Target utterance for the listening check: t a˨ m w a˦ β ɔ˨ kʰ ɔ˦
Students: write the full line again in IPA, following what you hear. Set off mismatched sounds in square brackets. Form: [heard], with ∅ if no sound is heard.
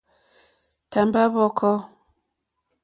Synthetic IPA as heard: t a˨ m [b] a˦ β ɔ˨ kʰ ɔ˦